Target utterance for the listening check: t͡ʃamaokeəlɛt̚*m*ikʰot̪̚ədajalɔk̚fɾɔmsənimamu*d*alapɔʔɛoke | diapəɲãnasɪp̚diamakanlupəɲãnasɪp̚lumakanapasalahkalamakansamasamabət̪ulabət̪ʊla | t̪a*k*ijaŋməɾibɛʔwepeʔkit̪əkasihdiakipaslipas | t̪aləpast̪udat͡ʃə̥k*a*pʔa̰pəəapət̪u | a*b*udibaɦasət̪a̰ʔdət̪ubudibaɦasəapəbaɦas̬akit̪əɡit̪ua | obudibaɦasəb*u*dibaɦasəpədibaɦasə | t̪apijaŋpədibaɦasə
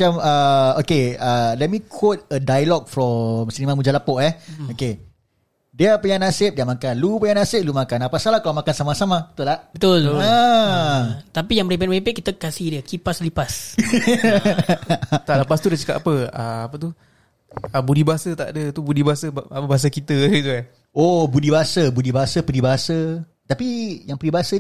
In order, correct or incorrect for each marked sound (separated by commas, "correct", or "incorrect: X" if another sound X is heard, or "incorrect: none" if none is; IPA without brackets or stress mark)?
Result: correct, incorrect: d͡ʒ, incorrect: p, correct, correct, correct